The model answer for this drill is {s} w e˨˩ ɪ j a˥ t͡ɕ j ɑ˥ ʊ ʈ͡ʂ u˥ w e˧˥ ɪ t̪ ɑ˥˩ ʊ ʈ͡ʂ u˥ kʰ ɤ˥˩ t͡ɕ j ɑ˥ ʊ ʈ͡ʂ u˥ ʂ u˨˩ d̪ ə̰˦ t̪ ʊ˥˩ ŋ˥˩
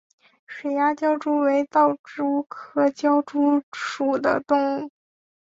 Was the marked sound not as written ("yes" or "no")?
yes